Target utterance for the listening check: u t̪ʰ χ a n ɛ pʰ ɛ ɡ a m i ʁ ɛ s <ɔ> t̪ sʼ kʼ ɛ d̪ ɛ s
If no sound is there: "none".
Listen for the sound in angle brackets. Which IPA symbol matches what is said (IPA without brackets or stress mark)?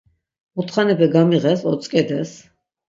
ɔ